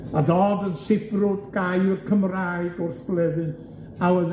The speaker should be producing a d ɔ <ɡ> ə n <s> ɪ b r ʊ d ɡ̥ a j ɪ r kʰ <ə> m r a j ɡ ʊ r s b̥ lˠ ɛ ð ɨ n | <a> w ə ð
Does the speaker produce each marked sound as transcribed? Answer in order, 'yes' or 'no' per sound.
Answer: no, yes, yes, yes

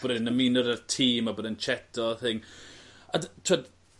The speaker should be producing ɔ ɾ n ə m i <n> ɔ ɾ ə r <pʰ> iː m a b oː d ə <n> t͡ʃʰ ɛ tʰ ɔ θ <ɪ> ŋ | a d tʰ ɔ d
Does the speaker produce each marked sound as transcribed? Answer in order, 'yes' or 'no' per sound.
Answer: yes, no, yes, yes

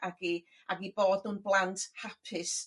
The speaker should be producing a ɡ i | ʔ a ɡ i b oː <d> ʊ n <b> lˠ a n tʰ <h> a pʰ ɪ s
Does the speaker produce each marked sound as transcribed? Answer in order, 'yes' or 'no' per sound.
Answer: yes, yes, yes

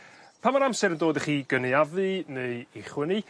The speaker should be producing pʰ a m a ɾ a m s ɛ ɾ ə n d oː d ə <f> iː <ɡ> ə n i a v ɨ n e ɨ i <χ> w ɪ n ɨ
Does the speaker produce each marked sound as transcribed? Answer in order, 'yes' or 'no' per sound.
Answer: no, yes, yes

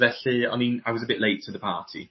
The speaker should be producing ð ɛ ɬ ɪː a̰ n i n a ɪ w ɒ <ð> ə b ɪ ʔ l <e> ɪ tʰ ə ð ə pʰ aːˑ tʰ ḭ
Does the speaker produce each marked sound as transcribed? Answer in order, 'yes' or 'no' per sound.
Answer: no, yes

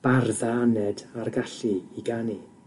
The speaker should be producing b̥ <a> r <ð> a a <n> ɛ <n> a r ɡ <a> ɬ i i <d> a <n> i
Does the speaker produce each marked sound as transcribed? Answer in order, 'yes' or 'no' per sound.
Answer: yes, yes, yes, no, yes, no, yes

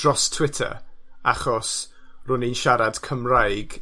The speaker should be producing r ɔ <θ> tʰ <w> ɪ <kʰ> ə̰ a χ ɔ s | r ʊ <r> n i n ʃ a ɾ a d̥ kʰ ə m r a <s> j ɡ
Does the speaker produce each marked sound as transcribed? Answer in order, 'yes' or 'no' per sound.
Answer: no, yes, no, no, no

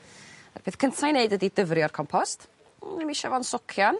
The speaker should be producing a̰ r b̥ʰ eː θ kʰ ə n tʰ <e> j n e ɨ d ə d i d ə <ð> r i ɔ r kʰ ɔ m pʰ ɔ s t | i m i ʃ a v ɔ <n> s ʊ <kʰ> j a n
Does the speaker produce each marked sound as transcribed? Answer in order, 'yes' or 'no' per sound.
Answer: no, no, yes, yes

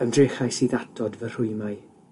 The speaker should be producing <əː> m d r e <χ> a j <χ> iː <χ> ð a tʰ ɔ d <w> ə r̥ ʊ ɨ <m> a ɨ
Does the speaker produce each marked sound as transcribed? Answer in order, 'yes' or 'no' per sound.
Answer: no, yes, no, no, no, yes

